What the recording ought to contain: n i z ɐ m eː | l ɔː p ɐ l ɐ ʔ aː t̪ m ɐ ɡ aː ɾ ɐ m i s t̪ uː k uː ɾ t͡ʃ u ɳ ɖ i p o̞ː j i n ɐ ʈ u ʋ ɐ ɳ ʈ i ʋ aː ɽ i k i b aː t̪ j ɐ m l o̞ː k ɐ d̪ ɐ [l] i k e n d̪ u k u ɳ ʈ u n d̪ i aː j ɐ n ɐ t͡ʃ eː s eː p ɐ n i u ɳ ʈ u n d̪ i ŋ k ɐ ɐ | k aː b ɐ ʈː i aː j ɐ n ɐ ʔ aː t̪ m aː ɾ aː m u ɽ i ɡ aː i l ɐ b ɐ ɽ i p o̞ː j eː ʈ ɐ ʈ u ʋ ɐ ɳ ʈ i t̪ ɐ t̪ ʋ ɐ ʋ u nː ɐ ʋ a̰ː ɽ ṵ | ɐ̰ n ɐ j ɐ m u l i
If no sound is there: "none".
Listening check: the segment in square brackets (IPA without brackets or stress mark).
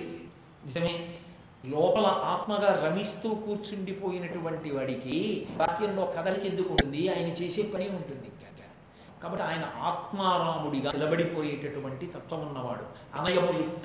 l